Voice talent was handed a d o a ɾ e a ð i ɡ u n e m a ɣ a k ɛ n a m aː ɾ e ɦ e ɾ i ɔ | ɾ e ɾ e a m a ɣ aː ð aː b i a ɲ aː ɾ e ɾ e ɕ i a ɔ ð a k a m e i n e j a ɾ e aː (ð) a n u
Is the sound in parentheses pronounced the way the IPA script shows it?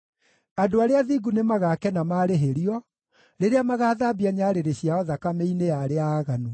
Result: no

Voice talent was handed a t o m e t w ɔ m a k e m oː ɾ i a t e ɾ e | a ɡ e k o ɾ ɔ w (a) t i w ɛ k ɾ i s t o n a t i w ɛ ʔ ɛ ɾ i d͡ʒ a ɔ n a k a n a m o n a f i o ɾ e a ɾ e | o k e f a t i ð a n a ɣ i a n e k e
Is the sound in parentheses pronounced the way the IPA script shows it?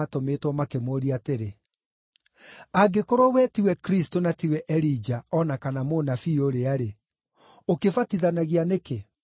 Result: no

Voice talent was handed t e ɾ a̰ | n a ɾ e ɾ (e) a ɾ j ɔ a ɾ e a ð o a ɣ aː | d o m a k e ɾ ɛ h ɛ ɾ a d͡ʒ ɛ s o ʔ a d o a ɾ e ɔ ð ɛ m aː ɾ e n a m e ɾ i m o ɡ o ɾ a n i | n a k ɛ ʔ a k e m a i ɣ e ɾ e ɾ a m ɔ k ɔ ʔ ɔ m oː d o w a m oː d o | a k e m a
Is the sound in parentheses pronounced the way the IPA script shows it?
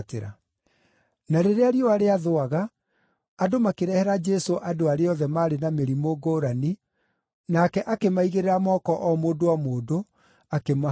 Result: yes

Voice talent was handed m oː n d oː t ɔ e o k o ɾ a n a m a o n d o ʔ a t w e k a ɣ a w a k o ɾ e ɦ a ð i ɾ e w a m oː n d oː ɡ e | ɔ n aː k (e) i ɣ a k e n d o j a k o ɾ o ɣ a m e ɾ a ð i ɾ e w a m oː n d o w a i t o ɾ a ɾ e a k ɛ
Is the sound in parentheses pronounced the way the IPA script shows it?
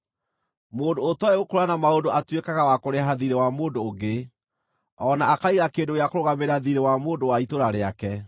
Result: no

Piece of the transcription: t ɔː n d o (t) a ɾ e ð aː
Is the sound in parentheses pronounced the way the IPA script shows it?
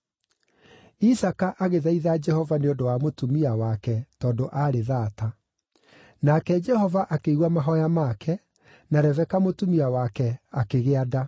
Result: no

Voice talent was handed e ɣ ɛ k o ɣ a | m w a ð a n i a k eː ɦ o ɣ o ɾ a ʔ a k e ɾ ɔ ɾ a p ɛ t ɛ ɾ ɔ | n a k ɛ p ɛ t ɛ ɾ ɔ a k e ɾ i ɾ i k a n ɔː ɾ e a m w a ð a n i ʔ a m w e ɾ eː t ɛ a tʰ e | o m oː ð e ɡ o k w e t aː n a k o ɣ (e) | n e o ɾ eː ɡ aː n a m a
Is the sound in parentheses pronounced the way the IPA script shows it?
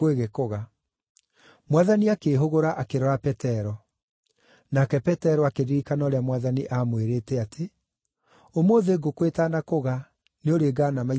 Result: no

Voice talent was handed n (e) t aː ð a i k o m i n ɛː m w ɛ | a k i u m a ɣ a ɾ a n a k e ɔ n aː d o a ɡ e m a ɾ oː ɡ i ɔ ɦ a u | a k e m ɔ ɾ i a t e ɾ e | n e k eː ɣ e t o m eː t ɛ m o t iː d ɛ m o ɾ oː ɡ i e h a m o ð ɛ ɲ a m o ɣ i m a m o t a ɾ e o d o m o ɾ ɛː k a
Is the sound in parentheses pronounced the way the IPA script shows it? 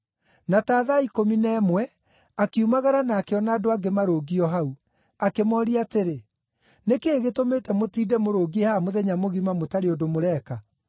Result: no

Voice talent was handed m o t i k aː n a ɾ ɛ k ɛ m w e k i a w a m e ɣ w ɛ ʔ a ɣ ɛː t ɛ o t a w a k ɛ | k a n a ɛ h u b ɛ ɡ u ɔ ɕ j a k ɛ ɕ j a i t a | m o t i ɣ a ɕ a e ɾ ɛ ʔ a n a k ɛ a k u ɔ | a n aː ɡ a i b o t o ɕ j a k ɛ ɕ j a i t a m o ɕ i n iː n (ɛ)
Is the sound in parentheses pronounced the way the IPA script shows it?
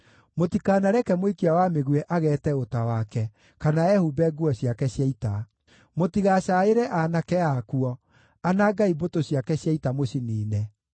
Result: yes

